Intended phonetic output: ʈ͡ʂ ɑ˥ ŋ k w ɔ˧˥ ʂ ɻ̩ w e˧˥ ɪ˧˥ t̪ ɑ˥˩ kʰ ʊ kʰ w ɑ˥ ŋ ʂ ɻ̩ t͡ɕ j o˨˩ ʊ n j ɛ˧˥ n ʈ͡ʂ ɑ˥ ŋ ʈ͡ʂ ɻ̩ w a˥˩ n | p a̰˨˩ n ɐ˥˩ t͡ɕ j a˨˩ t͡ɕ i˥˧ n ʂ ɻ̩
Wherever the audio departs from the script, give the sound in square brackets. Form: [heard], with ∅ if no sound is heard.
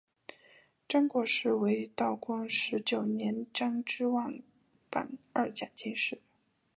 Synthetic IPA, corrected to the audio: ʈ͡ʂ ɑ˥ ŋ k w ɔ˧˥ ʂ ɻ̩ w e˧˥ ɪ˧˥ t̪ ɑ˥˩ [∅] ʊ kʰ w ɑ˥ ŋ ʂ ɻ̩ t͡ɕ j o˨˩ ʊ n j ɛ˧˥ n ʈ͡ʂ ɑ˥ ŋ ʈ͡ʂ ɻ̩ w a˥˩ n | p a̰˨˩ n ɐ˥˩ t͡ɕ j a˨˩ t͡ɕ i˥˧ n ʂ ɻ̩